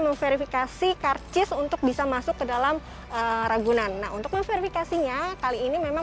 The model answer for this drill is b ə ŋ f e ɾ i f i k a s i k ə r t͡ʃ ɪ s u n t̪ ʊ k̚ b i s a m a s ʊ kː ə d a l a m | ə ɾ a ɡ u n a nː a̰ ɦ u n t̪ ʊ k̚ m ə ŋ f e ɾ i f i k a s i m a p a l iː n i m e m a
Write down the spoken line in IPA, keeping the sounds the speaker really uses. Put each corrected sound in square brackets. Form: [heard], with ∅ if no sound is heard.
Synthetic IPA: [m] ə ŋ f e ɾ i f i k a s i k [a] r t͡ʃ ɪ s u n t̪ ʊ k̚ b i s a m a s ʊ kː ə d a l a m | ə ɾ a ɡ u n a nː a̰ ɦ u n t̪ ʊ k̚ m ə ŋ f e ɾ i f i k a s i [ɲ] a [k] a l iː n i m e m a